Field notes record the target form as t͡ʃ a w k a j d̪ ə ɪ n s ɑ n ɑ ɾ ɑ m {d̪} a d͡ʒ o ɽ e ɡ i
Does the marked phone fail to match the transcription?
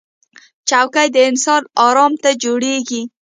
yes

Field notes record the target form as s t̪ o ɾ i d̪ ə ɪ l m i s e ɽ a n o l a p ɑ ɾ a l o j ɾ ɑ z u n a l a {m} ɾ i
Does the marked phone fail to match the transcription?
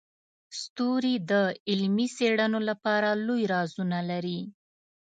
yes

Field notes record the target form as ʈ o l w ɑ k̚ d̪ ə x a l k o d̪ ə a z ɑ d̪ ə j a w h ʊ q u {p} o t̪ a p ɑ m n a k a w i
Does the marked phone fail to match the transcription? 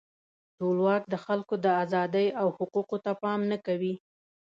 yes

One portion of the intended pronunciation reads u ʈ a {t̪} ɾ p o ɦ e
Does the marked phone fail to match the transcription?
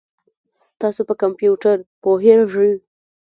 yes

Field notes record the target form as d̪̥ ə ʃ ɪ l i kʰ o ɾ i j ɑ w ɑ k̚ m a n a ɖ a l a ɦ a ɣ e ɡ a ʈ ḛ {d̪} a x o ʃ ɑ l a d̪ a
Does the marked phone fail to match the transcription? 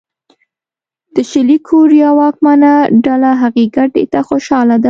yes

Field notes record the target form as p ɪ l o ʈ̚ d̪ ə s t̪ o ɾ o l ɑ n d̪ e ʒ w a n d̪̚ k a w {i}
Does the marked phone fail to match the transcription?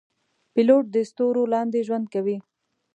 no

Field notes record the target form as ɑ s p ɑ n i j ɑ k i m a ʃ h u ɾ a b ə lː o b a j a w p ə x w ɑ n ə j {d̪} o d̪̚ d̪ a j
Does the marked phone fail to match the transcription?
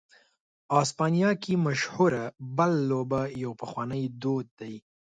no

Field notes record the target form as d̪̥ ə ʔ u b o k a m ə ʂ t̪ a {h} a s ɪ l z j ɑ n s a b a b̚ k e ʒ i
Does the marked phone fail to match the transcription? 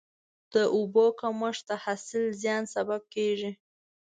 no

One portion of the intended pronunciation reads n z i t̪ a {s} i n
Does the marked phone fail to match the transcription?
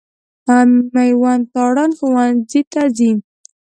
yes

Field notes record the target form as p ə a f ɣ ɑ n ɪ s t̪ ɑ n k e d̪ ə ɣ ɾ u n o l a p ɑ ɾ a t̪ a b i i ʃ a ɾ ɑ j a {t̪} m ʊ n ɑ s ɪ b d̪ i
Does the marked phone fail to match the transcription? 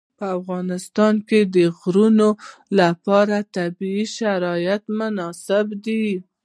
no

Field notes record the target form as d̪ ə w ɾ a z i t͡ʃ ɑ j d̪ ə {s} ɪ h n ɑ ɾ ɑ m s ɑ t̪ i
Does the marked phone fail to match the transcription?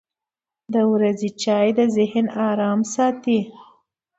yes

